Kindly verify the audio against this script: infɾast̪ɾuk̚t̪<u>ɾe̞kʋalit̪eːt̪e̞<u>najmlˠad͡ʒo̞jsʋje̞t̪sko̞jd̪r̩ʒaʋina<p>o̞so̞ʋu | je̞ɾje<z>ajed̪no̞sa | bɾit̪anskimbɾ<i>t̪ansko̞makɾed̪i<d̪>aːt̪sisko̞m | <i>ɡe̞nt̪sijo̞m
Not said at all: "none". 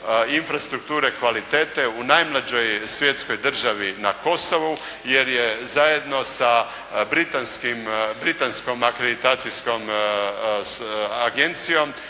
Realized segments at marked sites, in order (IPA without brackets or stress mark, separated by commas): uː, u, k, z, i, t̪, a